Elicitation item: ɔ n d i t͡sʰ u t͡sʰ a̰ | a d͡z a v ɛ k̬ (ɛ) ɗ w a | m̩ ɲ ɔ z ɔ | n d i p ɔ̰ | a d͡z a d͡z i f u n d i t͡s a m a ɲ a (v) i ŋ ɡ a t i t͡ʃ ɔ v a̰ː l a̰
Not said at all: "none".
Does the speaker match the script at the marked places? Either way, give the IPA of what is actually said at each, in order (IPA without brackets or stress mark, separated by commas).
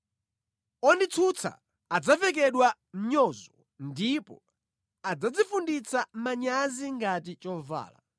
ɛ, z